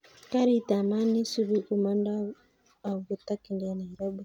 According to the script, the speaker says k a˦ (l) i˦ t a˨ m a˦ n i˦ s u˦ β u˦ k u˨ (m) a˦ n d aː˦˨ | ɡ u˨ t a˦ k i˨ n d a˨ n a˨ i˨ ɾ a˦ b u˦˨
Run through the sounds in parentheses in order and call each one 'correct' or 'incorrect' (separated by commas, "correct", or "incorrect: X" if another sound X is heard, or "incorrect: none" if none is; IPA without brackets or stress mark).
incorrect: ɾ, correct